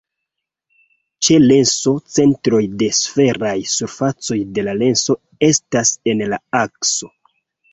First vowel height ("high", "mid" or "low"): mid